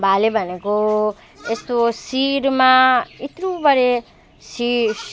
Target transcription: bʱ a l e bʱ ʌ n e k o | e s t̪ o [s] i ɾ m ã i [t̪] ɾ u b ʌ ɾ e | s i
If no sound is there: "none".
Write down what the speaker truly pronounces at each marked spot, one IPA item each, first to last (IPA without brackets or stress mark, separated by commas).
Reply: s, t̪